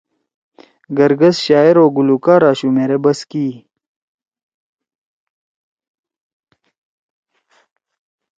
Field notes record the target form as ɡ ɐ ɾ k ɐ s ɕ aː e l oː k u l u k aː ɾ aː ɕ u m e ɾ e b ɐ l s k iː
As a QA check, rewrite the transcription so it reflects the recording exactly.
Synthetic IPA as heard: ɡ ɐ ɾ ɡ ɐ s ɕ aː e ɾ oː ɡ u l u k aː ɾ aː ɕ u m e ɾ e b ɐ s k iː